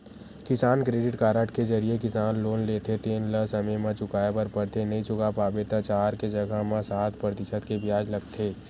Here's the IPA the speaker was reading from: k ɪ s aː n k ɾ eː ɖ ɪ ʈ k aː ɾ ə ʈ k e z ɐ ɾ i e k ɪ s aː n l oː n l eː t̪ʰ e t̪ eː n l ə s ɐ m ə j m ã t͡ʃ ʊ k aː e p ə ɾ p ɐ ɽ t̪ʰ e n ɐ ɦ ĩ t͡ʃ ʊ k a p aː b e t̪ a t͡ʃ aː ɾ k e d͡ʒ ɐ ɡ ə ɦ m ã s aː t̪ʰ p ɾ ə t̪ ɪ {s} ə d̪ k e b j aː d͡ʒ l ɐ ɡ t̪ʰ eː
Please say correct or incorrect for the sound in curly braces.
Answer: incorrect